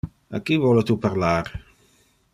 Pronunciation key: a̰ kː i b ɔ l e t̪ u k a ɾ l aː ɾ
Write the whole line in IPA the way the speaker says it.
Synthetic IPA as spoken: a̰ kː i v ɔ l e t̪ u p a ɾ l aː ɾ